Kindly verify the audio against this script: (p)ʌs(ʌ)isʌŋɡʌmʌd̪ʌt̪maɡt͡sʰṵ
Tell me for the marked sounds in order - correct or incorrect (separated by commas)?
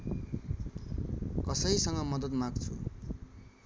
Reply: incorrect, correct